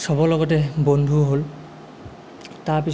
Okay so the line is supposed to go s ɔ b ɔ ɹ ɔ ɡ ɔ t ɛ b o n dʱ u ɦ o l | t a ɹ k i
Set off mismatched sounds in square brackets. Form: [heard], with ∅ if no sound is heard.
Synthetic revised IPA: s ɔ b ɔ [l] ɔ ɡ ɔ t ɛ b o n dʱ u ɦ o l | t a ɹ [p] i